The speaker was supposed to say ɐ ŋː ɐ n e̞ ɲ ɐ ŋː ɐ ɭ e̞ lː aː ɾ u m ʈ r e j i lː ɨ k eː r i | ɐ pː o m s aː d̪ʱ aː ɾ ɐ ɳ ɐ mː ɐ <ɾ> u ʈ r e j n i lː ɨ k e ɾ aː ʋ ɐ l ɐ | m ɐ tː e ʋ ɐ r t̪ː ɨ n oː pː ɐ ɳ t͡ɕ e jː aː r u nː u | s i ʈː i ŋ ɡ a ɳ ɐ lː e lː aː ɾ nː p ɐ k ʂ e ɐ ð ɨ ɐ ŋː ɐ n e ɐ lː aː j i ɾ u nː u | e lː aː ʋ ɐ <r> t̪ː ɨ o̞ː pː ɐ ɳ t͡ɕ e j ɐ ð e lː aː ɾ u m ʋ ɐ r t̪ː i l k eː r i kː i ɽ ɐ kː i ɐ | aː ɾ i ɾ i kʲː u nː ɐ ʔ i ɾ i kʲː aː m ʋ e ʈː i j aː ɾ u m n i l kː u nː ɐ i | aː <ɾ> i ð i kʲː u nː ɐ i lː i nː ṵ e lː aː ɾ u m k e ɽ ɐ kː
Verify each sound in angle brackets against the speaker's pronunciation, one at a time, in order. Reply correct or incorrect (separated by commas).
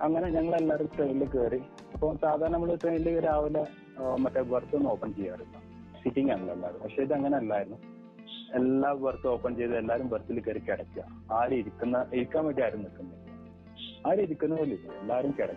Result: incorrect, correct, correct